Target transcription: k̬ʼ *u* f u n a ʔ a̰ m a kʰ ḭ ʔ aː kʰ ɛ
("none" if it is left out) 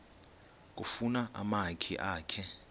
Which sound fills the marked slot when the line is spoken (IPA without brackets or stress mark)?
u